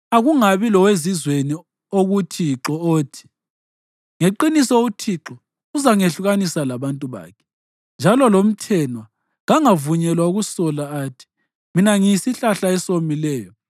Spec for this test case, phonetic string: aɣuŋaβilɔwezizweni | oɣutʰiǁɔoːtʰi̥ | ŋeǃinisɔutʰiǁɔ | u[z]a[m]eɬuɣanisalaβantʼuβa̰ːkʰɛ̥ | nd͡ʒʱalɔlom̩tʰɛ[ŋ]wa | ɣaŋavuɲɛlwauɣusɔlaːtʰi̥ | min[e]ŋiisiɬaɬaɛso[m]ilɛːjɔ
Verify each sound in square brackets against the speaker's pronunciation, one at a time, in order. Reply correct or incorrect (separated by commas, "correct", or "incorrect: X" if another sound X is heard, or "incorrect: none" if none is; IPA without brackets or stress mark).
correct, incorrect: ŋ, incorrect: n, incorrect: a, correct